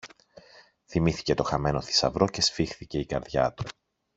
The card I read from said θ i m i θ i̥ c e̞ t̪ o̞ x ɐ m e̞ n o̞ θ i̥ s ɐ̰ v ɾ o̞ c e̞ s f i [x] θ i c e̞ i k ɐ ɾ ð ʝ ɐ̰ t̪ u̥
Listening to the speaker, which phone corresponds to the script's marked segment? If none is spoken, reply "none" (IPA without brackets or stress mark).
x